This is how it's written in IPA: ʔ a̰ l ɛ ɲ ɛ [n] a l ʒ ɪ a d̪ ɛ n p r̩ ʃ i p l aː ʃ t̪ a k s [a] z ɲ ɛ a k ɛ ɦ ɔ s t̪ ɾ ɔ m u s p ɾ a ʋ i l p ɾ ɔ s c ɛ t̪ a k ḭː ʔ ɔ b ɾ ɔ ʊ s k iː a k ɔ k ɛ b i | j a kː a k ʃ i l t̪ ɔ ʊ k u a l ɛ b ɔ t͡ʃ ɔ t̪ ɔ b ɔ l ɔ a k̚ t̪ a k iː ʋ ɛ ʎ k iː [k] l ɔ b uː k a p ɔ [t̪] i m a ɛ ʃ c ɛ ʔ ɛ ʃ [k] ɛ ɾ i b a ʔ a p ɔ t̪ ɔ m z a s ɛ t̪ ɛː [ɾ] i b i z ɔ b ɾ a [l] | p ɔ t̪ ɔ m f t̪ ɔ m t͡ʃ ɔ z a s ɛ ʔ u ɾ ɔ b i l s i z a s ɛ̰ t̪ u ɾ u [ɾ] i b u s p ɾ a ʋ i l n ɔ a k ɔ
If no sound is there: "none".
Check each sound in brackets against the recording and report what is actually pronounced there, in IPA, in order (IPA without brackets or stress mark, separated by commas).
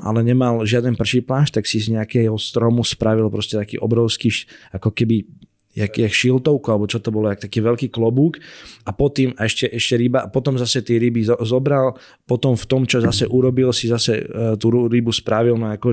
m, i, k, t̪, c, ɾ, l, ɾ